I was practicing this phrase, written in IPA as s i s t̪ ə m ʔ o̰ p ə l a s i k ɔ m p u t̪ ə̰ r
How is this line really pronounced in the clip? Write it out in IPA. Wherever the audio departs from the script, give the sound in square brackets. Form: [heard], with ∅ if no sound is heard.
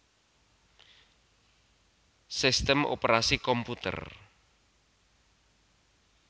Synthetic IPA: s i s t̪ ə m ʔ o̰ p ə [ɾ] a s i k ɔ m p u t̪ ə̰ r